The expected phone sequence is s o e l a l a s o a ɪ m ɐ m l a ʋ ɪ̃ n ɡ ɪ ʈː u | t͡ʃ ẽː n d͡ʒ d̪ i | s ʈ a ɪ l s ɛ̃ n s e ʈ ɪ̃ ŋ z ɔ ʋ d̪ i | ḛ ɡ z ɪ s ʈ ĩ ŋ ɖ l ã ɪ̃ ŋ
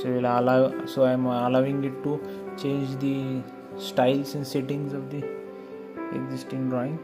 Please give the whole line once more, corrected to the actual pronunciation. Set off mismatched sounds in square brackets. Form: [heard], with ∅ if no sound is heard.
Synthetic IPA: s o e l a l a s o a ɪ m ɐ [∅] l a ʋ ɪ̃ [ŋ] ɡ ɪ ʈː u | t͡ʃ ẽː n d͡ʒ d̪ i | s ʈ a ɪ l s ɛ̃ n s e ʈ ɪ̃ ŋ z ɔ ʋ d̪ i | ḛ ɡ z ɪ s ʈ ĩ ŋ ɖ [ɾ] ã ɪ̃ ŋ